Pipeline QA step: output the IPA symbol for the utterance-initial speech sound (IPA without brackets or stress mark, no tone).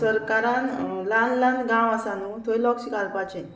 s